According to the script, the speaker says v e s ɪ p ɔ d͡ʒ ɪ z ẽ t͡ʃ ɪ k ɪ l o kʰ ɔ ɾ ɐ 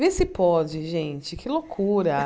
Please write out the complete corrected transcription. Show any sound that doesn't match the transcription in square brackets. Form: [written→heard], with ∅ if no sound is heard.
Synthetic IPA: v e s ɪ p ɔ d͡ʒ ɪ [z→ʒ] ẽ t͡ʃ ɪ k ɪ l o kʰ [ɔ→u] ɾ ɐ